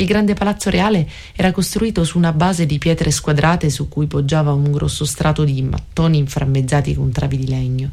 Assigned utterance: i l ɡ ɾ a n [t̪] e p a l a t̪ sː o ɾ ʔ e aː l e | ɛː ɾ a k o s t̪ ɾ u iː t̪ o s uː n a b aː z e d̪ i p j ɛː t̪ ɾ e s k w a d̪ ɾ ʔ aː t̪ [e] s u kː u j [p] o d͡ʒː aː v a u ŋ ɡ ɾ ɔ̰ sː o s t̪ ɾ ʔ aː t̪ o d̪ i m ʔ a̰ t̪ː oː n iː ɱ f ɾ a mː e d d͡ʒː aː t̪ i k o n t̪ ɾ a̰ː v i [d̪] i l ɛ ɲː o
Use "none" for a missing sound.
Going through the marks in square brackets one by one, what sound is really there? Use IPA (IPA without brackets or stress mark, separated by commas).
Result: d̪, e, p, d̪